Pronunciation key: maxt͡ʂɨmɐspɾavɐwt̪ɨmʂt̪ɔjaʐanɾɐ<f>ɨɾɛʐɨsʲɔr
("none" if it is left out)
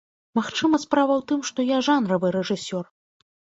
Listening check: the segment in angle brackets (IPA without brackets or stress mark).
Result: v